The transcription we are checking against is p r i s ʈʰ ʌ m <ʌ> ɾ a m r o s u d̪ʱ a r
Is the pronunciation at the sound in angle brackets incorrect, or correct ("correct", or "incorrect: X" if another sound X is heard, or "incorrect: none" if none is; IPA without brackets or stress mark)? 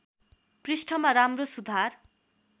incorrect: a